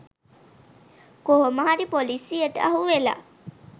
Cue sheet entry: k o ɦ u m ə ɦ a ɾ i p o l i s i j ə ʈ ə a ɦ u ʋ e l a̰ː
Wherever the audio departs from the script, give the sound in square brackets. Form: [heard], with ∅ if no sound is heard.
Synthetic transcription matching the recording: k o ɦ [o] m ə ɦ a ɾ i p o l i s i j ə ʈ ə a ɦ u ʋ e l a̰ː